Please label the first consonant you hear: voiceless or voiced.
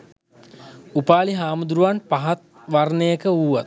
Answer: voiceless